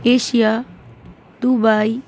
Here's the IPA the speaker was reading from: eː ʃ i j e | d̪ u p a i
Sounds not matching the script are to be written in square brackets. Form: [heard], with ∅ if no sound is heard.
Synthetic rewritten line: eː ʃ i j [a] | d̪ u [b] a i